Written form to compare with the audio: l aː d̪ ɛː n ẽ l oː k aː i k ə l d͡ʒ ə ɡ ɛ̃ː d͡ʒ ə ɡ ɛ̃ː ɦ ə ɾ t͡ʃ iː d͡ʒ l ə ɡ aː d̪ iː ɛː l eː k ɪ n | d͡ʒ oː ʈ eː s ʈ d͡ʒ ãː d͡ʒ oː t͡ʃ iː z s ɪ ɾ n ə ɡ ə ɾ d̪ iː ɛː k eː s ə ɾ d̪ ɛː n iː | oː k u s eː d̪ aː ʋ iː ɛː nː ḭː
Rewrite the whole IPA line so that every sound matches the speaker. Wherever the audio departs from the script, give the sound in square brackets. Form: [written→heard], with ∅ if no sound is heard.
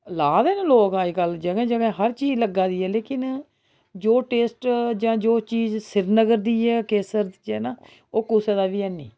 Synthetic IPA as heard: l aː d̪ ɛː n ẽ l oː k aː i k ə l d͡ʒ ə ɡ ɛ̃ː d͡ʒ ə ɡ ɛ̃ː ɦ ə ɾ t͡ʃ iː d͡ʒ l ə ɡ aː d̪ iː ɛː l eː k ɪ n | d͡ʒ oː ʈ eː s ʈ d͡ʒ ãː d͡ʒ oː t͡ʃ iː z s ɪ ɾ n ə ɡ ə ɾ d̪ iː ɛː k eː s ə ɾ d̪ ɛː n [iː→aː] | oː k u s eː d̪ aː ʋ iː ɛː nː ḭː